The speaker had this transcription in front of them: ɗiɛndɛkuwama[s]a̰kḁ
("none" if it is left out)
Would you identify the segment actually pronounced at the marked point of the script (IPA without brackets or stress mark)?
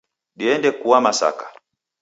s